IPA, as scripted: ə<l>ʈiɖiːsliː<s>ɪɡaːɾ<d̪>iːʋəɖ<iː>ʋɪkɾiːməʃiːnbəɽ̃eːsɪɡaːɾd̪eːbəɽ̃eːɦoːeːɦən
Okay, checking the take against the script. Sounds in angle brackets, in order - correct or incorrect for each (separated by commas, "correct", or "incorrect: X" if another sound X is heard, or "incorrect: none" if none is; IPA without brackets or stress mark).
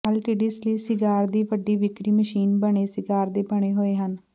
correct, correct, correct, correct